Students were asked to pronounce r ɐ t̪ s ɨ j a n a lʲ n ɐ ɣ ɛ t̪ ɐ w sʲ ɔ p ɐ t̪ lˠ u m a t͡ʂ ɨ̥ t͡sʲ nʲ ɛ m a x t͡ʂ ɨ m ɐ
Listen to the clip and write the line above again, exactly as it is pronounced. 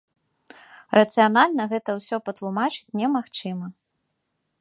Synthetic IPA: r ɐ t̪ s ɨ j a n a lʲ n ɐ ɣ ɛ t̪ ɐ w sʲ ɔ p ɐ t̪ lˠ u m a t͡ʂ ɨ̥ t͡sʲ nʲ ɛ m a x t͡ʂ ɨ m ɐ